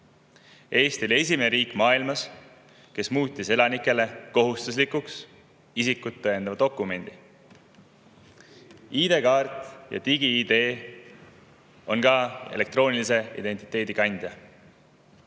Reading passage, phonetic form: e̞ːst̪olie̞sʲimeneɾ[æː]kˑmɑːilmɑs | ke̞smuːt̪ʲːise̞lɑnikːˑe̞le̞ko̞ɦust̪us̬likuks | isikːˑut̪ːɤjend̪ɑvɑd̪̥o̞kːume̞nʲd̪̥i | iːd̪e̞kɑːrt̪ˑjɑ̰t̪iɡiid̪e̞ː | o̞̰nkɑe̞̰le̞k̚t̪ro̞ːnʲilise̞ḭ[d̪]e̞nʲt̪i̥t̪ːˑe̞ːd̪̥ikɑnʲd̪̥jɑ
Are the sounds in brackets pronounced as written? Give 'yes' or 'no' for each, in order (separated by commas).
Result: no, yes